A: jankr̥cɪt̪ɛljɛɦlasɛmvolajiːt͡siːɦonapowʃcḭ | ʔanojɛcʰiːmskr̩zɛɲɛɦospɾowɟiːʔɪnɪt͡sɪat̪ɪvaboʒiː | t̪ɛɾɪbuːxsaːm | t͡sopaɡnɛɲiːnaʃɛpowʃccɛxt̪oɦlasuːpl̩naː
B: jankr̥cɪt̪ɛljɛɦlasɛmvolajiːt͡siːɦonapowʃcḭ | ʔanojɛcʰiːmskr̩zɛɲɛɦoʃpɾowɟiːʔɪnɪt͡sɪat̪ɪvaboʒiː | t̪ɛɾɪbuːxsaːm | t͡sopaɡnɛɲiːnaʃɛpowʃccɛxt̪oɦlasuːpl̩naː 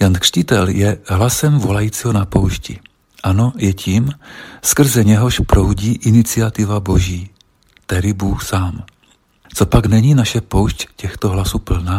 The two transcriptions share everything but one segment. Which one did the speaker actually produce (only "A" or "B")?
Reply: B